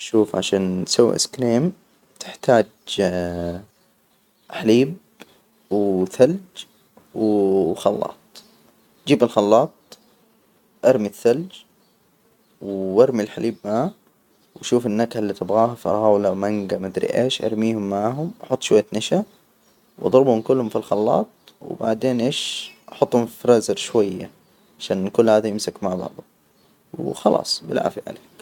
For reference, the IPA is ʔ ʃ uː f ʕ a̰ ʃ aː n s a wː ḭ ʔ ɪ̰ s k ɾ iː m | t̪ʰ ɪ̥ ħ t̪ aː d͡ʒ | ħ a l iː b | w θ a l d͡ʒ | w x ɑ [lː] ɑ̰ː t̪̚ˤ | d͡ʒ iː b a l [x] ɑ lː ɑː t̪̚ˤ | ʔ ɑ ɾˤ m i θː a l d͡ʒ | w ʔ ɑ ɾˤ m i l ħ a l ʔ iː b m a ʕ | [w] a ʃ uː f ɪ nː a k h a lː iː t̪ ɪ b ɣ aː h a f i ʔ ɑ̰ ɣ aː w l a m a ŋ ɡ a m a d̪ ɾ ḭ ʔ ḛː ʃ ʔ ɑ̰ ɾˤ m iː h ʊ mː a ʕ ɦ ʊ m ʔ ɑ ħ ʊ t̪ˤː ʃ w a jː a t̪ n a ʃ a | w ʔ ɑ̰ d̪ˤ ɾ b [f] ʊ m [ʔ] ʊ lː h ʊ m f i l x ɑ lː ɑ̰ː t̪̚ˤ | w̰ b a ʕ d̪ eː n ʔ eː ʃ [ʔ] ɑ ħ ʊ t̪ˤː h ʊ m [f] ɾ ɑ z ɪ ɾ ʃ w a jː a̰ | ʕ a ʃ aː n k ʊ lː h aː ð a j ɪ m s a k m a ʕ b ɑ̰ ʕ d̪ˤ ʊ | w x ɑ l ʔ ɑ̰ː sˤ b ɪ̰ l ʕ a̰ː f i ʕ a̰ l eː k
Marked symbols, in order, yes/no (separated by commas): yes, yes, yes, no, no, yes, yes